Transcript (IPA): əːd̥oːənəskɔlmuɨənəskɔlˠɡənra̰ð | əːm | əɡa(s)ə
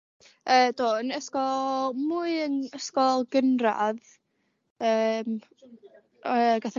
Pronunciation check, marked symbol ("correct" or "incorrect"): incorrect